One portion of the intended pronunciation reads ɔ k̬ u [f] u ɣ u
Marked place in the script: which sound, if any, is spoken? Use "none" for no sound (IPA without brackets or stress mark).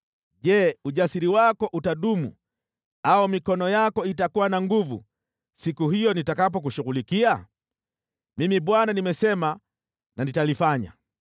ʃ